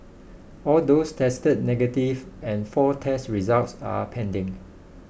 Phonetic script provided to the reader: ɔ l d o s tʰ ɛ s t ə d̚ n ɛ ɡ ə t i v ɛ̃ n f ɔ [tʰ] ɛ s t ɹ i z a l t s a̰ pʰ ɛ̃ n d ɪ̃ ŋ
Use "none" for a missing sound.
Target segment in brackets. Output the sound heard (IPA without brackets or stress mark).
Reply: tʰ